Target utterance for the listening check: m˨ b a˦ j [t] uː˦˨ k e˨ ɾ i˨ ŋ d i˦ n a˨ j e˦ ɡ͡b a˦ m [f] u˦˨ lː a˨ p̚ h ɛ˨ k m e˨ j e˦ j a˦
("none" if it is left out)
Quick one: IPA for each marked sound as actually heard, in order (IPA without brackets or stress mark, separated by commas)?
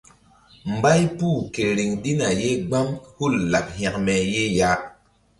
p, h